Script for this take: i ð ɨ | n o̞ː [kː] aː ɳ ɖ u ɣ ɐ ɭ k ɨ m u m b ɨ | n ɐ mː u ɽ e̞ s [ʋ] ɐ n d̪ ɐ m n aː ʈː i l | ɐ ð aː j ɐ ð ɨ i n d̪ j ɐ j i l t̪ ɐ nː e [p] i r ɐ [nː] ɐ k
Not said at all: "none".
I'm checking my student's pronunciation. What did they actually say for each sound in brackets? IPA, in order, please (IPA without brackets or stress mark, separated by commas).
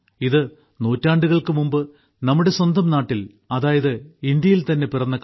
tː, w, p, nː